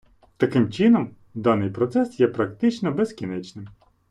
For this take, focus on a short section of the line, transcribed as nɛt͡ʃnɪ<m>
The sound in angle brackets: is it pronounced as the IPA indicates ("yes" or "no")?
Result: yes